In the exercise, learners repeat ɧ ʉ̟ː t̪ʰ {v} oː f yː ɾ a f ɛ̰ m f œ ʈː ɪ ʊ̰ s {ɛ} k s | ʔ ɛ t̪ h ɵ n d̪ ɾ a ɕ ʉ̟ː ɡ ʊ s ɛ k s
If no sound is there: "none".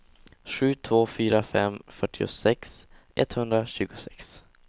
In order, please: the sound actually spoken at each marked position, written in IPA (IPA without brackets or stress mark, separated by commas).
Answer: v, ɛ